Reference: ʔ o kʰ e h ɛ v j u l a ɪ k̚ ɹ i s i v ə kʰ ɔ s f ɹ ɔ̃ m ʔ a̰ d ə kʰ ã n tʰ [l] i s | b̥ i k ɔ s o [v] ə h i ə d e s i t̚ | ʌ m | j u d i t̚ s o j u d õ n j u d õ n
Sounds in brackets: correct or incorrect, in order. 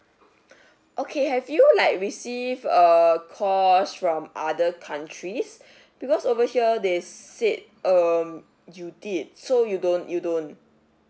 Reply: incorrect: ɹ, correct

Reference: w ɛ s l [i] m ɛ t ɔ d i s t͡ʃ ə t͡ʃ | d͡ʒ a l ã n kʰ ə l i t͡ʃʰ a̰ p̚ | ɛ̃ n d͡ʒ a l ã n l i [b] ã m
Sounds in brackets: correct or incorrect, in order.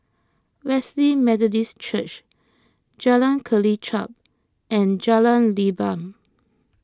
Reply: correct, correct

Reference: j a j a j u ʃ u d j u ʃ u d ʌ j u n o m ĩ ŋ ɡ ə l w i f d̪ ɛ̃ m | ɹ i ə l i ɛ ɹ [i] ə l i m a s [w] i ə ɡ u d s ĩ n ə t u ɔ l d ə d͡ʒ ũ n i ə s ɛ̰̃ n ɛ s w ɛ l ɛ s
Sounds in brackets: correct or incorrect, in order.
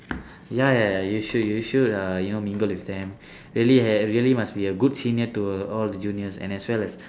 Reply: correct, incorrect: b

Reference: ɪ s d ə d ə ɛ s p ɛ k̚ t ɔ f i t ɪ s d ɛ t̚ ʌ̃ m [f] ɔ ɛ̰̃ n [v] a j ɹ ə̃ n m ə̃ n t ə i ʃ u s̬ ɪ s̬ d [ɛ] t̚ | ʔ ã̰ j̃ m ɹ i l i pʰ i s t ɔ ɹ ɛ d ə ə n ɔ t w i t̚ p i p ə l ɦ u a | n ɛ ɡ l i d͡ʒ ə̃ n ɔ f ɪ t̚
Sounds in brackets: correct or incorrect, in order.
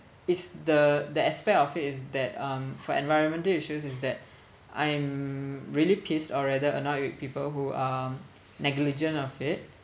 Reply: correct, correct, correct

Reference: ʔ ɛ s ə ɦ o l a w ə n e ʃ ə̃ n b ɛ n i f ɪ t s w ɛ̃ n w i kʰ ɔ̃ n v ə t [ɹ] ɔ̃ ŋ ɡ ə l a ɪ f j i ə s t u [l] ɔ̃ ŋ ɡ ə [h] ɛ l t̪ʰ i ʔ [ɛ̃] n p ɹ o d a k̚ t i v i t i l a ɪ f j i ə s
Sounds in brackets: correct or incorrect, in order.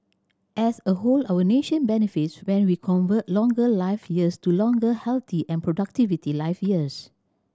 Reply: incorrect: l, correct, correct, correct

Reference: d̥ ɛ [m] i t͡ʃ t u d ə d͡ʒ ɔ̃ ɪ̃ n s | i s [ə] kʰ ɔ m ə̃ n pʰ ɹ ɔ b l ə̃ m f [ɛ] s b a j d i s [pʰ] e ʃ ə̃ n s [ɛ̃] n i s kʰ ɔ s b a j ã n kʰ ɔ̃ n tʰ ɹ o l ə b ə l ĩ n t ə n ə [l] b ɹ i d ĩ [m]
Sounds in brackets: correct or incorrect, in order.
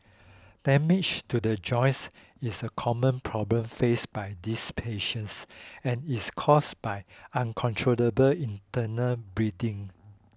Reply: correct, correct, incorrect: e, correct, correct, correct, incorrect: ŋ

